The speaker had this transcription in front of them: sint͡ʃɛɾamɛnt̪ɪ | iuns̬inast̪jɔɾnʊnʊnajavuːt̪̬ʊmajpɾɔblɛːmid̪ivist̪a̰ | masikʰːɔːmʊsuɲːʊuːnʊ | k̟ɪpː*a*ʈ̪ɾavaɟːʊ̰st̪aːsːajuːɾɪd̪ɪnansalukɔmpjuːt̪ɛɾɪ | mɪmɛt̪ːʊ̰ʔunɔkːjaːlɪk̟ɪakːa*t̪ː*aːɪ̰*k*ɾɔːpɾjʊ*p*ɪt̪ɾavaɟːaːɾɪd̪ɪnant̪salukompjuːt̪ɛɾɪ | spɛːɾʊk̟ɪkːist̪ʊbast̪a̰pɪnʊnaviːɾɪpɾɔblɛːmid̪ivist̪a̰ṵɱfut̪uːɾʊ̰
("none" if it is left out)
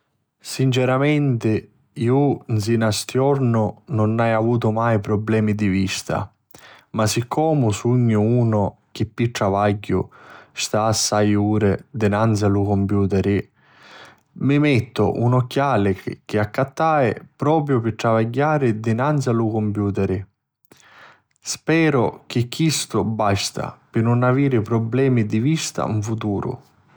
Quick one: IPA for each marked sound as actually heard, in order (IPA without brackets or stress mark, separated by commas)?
i, t̪ː, p, p